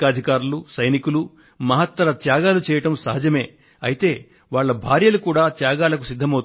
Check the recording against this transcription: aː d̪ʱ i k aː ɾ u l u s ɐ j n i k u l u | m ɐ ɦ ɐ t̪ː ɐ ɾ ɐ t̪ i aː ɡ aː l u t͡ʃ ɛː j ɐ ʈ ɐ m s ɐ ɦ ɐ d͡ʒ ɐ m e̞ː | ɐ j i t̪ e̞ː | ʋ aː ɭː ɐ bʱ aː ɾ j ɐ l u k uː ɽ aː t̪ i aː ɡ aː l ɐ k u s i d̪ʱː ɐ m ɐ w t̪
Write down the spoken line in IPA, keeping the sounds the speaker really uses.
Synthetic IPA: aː d̪ʱ i k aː ɾ u l u s ɐ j n i k u l u | m ɐ ɦ ɐ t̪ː ɐ ɾ ɐ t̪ j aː ɡ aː l u t͡ʃ ɛː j ɐ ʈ ɐ m s ɐ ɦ ɐ d͡ʒ ɐ m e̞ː | ɐ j i t̪ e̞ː | ʋ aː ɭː ɐ bʱ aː ɾ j ɐ l u k uː ɽ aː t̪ j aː ɡ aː l ɐ k u s i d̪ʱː ɐ m ɐ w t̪

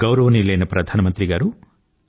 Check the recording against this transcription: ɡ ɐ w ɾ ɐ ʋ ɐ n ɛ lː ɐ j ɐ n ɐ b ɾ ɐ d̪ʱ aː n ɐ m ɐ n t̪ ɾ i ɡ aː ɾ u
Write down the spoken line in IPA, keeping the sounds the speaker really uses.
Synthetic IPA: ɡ ɐ w ɾ ɐ ʋ ɐ n i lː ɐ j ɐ n ɐ p ɾ ɐ d̪ʱ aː n ɐ m ɐ n t̪ ɾ i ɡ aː ɾ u

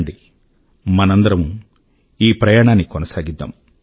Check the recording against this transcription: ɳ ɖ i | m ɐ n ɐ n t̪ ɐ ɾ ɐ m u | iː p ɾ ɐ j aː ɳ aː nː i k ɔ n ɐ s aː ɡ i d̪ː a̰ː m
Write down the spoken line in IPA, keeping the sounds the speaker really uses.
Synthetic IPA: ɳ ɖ i | m ɐ n ɐ n d̪ ɐ ɾ ɐ m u | iː p ɾ ɐ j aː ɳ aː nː i k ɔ n ɐ s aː ɡ i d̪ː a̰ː m

